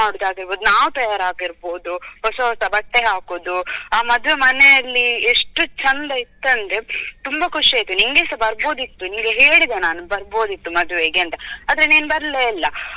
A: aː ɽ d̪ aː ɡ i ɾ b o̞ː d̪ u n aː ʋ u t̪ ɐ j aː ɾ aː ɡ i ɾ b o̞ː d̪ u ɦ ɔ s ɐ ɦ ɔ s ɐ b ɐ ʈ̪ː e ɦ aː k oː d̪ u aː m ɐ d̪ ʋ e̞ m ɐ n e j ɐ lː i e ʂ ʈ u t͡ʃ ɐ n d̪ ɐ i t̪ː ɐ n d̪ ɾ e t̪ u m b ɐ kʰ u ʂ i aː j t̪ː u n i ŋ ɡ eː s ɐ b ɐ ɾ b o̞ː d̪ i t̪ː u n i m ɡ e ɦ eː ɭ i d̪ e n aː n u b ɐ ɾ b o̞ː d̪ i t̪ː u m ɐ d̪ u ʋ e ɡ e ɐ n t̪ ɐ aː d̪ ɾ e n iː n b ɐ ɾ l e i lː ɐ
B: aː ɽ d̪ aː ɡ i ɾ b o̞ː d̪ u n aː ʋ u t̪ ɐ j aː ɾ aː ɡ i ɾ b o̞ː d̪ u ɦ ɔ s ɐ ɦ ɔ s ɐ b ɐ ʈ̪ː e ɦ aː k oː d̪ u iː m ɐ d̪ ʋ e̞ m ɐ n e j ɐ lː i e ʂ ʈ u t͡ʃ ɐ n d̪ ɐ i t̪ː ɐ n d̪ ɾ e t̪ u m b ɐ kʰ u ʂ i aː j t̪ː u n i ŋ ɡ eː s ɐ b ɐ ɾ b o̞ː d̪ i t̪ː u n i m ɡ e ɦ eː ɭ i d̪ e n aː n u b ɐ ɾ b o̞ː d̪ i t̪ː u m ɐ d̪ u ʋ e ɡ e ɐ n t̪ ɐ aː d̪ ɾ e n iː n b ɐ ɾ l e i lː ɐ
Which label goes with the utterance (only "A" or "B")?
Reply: A